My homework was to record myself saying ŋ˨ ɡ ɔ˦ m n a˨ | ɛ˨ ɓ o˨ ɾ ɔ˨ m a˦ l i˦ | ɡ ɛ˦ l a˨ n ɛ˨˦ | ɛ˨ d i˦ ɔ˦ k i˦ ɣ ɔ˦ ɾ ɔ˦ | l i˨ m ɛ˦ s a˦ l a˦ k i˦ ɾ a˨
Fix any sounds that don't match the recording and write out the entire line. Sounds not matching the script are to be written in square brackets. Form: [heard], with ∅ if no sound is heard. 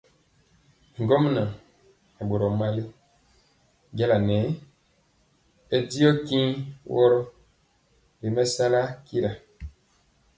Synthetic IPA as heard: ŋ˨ ɡ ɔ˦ m n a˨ | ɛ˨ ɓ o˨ ɾ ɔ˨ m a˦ l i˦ | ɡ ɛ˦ l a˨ n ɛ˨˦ | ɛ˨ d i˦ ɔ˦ k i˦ [w] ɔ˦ ɾ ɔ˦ | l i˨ m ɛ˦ s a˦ l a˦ k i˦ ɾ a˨